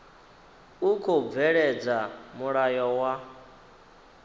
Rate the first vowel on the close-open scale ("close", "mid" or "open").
close